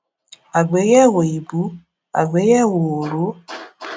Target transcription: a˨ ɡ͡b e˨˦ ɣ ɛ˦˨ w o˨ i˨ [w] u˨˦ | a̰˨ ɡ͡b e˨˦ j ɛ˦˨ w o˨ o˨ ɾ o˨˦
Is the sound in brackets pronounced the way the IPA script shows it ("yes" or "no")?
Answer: no